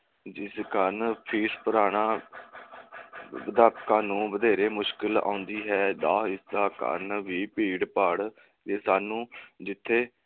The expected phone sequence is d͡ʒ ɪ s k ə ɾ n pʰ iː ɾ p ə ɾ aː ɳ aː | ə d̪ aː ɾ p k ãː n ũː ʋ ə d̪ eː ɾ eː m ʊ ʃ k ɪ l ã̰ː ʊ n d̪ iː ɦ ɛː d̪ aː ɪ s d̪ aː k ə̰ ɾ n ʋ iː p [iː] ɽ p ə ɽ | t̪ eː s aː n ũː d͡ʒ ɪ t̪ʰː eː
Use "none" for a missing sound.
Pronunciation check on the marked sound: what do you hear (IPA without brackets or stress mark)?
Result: iː